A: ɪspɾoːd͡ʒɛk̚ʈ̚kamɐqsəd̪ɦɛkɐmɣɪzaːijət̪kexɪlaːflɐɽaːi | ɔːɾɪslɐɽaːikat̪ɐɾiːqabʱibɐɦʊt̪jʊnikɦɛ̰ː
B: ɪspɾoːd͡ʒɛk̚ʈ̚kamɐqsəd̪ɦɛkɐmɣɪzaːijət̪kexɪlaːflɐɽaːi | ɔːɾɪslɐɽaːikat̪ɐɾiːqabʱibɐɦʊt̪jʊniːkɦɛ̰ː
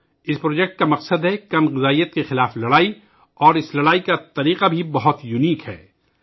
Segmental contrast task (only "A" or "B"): B